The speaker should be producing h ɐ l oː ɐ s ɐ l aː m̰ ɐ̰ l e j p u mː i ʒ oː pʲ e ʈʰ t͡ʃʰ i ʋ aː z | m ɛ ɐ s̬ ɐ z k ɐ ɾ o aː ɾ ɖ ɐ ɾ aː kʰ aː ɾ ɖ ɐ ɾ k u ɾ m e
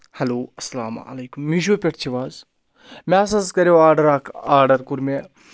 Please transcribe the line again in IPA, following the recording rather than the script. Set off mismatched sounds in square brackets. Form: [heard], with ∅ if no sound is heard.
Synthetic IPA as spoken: h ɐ l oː ɐ s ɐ l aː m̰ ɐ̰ l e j [k] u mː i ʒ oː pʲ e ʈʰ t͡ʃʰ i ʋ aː z | m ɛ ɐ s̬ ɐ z k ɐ ɾ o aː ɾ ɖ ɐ ɾ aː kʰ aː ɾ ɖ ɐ ɾ k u ɾ m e